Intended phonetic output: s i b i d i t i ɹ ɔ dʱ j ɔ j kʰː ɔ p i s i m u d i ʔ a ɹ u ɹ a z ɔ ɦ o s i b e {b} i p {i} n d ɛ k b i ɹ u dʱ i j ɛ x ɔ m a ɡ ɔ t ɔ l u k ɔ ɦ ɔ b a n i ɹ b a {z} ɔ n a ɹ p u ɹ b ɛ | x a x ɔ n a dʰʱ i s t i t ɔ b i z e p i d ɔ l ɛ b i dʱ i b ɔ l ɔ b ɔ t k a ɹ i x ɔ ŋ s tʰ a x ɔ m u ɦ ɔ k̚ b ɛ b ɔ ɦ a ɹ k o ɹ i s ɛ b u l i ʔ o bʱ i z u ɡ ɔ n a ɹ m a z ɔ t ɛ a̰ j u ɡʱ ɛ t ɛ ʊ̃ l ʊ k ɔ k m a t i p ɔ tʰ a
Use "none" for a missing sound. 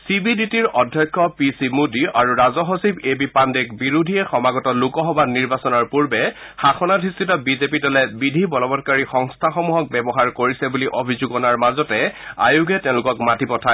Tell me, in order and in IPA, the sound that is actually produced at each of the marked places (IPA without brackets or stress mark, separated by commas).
b, a, s